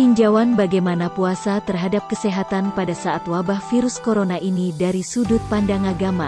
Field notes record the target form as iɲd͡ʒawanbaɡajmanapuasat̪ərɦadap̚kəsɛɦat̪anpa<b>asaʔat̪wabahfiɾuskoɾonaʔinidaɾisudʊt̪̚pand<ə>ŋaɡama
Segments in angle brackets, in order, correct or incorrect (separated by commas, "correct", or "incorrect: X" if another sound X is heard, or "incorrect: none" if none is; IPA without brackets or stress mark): incorrect: d, incorrect: a